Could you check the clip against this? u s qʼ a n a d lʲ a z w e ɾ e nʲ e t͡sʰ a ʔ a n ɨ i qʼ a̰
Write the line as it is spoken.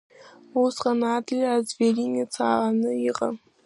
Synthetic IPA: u s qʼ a n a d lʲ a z v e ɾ i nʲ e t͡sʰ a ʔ a n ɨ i qʼ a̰